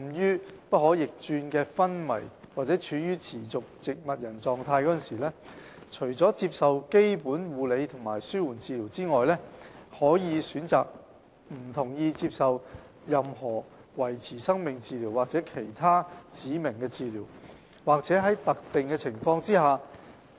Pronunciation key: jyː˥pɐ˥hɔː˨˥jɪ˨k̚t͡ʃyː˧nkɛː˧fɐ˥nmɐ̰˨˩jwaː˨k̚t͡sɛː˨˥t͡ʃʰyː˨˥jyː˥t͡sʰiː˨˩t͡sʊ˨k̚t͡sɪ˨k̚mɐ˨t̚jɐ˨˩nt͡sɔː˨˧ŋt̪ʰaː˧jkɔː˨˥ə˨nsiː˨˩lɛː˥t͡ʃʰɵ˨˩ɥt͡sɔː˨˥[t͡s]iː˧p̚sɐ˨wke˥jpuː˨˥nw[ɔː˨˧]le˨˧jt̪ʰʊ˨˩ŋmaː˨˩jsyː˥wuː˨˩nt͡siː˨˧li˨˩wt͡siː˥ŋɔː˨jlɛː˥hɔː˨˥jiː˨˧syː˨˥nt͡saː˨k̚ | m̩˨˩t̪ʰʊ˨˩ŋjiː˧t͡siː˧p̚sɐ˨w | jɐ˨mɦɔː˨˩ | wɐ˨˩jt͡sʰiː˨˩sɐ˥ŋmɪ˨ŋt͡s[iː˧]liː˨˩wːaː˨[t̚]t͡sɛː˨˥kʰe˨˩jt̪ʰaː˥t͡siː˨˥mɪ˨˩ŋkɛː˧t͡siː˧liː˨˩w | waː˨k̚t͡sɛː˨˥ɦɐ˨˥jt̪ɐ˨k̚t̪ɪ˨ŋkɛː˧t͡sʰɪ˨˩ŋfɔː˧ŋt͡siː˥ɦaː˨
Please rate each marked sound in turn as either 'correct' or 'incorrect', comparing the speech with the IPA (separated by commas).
correct, incorrect, correct, incorrect